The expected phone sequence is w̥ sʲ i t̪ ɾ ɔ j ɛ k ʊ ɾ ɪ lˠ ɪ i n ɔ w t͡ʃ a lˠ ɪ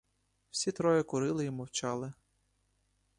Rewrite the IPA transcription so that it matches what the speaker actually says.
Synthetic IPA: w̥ sʲ i t̪ ɾ ɔ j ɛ k ʊ ɾ ɪ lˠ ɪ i m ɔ w t͡ʃ ɑ lˠ ɪ